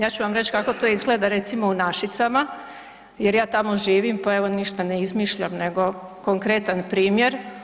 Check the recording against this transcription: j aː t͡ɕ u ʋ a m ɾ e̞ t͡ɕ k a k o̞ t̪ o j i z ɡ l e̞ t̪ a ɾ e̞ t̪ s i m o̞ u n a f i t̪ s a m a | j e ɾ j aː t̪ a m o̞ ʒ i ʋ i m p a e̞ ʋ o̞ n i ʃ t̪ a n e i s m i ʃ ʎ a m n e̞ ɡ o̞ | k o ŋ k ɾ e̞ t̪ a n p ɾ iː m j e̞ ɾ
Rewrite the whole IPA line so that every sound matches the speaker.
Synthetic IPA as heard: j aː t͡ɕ u ʋ a m ɾ e̞ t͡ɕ k a k o̞ t̪ o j i z ɡ l e̞ d̪ a ɾ e̞ t̪ s i m o̞ u n a ʃ i t̪ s a m a | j e ɾ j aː t̪ a m o̞ ʒ iː ʋ i m p a e̞ ʋ o̞ n i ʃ t̪ a n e i z m i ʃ ʎ a m n e̞ ɡ o̞ | k o ŋ k ɾ e̞ t̪ a n p ɾ iː m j e̞ ɾ